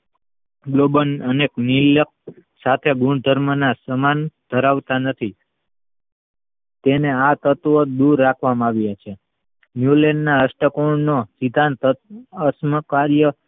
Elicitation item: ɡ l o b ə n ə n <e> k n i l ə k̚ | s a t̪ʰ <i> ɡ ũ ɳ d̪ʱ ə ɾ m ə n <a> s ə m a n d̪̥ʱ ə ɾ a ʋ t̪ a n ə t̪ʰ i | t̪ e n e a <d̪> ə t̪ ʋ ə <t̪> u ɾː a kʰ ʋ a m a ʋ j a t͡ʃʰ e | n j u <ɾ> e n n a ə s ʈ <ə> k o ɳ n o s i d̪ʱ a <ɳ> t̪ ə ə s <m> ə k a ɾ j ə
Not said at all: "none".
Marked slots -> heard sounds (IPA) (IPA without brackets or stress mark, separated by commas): e, e, a, t̪, d̪, l, ə, n, m